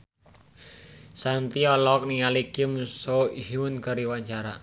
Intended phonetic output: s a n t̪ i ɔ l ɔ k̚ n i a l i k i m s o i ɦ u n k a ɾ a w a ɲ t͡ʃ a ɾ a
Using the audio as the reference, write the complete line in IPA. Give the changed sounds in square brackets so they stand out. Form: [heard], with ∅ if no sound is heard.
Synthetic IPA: s a n t̪ i ɔ l ɔ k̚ n i a l i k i m s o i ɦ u n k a ɾ [i] w a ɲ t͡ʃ a ɾ a